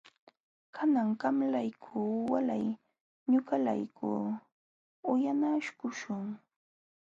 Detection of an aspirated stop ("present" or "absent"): present